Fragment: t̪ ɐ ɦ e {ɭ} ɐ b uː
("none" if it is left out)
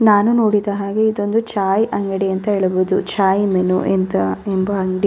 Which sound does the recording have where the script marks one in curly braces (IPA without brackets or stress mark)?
ɭ